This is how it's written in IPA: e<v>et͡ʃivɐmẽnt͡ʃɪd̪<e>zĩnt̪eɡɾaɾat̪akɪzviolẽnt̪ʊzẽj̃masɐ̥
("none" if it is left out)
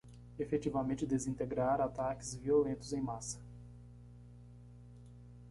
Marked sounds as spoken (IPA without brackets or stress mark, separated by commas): f, e